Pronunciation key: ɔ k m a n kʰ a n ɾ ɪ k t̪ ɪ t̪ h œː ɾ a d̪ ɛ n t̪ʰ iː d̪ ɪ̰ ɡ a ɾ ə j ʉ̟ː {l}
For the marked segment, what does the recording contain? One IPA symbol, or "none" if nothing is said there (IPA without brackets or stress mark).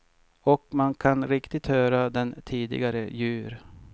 ɾ